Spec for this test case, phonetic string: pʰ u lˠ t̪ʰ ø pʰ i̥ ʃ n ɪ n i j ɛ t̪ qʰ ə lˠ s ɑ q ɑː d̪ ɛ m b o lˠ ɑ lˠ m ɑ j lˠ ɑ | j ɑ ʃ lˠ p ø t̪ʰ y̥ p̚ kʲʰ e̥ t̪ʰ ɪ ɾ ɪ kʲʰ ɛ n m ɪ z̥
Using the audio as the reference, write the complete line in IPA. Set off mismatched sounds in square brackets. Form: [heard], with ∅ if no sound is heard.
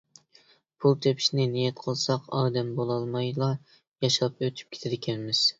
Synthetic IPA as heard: pʰ u lˠ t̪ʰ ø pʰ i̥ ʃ n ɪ n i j ɛ t̪ qʰ ə lˠ s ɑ q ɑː d̪ ɛ m b o lˠ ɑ lˠ m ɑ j lˠ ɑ | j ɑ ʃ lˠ p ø t̪ʰ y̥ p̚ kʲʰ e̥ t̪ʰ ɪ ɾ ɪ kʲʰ ɛ n m ɪ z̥